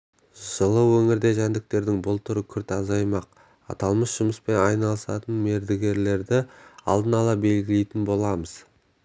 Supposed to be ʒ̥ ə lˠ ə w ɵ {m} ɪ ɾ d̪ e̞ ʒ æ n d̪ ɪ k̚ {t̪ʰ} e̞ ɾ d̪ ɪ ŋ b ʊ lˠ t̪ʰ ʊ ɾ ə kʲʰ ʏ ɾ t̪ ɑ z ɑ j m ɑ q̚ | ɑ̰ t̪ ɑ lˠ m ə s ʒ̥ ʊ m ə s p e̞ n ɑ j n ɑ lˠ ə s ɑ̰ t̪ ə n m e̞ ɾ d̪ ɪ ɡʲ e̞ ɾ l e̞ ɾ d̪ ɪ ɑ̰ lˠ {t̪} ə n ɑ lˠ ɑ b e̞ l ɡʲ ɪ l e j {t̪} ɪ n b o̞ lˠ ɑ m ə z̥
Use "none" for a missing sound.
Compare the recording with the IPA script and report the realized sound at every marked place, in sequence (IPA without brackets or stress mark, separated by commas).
ŋ, t̪, d̪, t̪